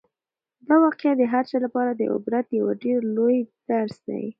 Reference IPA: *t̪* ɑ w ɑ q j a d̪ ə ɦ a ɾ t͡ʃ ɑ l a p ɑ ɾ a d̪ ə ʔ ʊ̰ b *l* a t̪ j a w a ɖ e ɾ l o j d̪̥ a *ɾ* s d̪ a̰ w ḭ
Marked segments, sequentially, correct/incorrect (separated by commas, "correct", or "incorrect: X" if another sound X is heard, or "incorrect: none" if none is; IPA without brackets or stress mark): incorrect: d̪, incorrect: ɾ, correct